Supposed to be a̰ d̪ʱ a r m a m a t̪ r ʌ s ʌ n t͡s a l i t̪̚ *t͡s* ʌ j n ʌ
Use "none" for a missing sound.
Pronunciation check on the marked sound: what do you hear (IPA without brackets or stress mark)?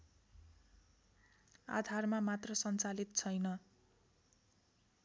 t͡sʰ